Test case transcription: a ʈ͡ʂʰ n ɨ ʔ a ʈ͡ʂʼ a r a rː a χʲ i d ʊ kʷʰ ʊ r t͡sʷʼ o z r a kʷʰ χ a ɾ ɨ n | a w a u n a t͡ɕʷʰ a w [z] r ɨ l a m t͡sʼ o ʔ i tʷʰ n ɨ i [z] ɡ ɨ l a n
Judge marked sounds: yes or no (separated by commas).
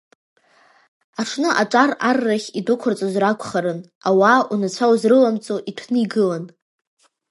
yes, no